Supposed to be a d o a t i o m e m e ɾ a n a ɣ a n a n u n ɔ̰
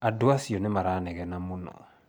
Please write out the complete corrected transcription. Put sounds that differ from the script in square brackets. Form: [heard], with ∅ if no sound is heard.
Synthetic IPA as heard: a d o a [s] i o [n] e m [a] ɾ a n [ɛ] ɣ [ɛ] n a [m] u n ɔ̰